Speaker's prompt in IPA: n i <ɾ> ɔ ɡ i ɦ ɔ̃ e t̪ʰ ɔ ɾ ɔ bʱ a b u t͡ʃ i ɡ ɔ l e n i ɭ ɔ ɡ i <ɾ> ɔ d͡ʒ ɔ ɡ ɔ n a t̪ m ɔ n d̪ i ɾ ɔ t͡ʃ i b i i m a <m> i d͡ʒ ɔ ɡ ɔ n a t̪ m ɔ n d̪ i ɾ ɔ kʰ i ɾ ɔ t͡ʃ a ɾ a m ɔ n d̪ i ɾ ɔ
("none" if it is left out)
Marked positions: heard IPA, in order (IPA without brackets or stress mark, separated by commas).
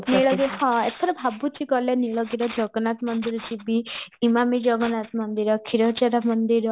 ɭ, ɾ, m